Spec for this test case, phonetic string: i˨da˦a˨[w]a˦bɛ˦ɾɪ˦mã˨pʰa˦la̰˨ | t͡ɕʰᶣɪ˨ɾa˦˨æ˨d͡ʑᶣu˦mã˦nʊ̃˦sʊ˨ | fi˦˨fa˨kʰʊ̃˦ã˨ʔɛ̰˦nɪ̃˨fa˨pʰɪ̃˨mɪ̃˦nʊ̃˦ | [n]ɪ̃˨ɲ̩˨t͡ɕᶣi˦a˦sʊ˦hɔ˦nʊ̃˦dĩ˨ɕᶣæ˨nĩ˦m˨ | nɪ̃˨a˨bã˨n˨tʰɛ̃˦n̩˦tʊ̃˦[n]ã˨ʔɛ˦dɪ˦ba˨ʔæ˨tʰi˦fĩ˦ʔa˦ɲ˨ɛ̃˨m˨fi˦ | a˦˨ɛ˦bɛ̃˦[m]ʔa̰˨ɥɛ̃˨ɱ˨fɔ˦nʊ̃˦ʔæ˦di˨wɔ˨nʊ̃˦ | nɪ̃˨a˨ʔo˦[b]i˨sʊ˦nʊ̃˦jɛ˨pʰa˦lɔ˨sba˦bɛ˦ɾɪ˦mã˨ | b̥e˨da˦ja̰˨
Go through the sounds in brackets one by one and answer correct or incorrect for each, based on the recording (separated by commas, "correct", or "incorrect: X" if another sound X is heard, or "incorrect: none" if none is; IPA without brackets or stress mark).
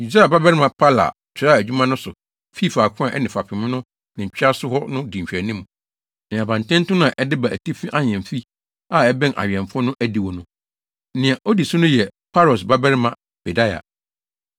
incorrect: b, correct, correct, incorrect: n, incorrect: d